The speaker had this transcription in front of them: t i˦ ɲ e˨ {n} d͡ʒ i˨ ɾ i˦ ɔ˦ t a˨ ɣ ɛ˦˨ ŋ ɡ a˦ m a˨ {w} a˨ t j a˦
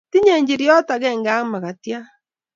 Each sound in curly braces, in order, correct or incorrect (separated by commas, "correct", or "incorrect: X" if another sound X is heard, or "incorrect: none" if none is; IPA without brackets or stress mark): incorrect: ɲ, incorrect: ɣ